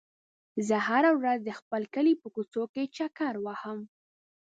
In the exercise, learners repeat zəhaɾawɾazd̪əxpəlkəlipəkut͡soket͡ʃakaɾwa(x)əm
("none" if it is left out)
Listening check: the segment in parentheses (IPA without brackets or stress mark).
h